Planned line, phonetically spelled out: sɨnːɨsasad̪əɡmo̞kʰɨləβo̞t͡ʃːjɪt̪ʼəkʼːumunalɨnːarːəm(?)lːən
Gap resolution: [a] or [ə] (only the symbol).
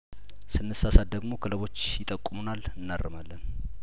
a